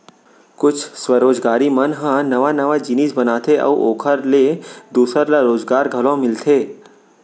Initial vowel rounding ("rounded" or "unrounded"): rounded